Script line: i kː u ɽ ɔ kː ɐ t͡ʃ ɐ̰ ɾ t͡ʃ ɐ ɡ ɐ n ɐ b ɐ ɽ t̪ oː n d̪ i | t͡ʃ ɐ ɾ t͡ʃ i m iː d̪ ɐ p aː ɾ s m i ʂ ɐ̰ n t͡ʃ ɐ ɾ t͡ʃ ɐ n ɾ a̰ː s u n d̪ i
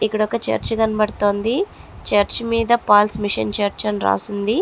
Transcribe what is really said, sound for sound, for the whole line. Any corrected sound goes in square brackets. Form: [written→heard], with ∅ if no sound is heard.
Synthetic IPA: i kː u ɽ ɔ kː ɐ t͡ʃ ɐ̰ ɾ t͡ʃ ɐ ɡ ɐ n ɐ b ɐ ɽ t̪ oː n d̪ i | t͡ʃ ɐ ɾ t͡ʃ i m iː d̪ ɐ p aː [ɾ→l] s m i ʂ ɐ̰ n t͡ʃ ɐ ɾ t͡ʃ ɐ n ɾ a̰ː s u n d̪ i